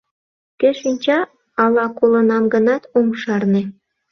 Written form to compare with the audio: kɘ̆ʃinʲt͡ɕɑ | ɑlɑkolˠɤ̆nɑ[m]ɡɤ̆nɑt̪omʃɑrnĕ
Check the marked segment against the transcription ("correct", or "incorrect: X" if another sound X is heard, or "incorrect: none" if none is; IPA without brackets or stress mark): correct